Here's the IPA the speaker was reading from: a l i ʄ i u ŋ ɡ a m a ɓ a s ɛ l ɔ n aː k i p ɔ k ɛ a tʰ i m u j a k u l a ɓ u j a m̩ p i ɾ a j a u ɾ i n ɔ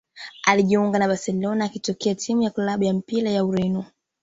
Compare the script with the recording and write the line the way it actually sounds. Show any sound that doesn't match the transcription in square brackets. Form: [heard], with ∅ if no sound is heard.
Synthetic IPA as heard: a l i ʄ i u ŋ ɡ a [n] a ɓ a s ɛ l ɔ n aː k i [t] ɔ k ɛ a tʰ i m u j a k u l a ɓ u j a m̩ p i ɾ a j a u ɾ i n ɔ